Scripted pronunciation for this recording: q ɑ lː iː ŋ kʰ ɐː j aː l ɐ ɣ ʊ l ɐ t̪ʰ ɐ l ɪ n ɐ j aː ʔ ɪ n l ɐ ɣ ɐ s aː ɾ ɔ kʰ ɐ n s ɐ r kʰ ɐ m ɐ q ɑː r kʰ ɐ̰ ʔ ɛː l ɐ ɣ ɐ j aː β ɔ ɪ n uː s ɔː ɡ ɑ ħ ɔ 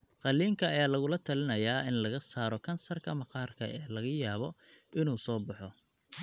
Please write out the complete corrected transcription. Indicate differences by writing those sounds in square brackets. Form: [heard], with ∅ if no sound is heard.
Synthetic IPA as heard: q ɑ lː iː ŋ kʰ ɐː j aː l ɐ ɣ ʊ l ɐ t̪ʰ ɐ l ɪ n ɐ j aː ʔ ɪ n l ɐ ɣ ɐ s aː ɾ ɔ kʰ ɐ n s ɐ r kʰ ɐ m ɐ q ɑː r kʰ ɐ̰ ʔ ɛː l ɐ ɣ ɐ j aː β ɔ ɪ n uː s ɔː [b] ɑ ħ ɔ